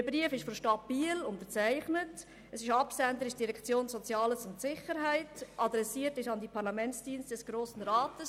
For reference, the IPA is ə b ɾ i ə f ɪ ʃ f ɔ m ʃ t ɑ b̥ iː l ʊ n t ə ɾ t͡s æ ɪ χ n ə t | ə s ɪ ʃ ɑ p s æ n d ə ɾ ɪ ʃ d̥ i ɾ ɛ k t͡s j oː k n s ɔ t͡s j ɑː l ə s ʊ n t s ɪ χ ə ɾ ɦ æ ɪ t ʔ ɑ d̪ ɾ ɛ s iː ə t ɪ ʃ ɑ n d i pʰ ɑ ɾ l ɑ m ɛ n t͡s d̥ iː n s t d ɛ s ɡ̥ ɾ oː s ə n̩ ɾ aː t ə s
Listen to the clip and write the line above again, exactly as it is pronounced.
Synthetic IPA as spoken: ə b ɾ i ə f ɪ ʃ f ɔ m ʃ t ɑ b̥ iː l ʊ n t ə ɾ t͡s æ ɪ χ n ə t | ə s ɪ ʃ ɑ p s æ n d ə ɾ ɪ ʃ d̥ i ɾ ɛ k t͡s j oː n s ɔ t͡s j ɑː l ə s ʊ n t s ɪ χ ə ɾ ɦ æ ɪ t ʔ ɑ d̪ ɾ ɛ s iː ə t ɪ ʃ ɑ n d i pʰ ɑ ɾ l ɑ m ɛ n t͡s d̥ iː n s t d ɛ s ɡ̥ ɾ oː s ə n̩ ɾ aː t ə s